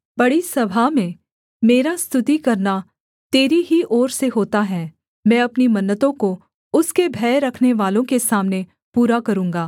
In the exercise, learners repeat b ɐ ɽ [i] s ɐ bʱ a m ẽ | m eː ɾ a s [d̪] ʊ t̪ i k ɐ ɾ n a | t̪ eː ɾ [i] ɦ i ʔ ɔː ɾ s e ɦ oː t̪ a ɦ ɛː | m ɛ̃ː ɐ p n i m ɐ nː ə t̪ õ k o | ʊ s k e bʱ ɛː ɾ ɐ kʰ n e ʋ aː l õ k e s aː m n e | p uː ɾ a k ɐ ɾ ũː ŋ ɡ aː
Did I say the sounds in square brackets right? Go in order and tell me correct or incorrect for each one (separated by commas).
correct, incorrect, correct